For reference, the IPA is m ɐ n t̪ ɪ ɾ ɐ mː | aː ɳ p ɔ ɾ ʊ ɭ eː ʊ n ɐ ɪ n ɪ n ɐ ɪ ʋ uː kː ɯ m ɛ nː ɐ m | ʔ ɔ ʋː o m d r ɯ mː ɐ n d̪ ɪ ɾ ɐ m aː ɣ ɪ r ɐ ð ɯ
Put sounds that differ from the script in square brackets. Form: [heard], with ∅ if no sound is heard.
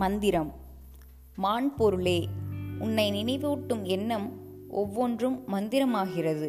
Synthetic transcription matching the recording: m ɐ n [d̪] ɪ ɾ ɐ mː | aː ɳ p ɔ ɾ [ɯ] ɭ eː ʊ [nː] ɐ ɪ n ɪ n ɐ ɪ ʋ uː [ʈː] ɯ m ɛ nː ɐ m | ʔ ɔ ʋː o [n] d r ɯ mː ɐ n d̪ ɪ ɾ ɐ m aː ɣ ɪ r ɐ ð ɯ